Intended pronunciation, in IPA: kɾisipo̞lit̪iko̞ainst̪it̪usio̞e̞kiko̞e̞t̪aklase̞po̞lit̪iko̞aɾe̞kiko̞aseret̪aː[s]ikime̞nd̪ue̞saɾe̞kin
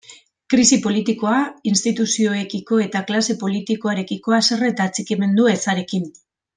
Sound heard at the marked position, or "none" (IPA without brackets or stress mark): t͡s